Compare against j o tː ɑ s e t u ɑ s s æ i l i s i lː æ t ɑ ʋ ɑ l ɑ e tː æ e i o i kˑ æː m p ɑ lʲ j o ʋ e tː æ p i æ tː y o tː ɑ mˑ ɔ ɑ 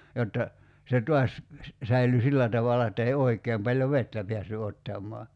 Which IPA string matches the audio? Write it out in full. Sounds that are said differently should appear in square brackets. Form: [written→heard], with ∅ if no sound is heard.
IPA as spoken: j o tː ɑ s e t u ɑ s s æ i l [i→y] s i lː æ t ɑ ʋ ɑ l ɑ e tː æ e i o i kˑ [æː→eː] m p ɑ lʲ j o ʋ e tː æ p i æ [tː→sː] y o tː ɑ mˑ ɔ ɑ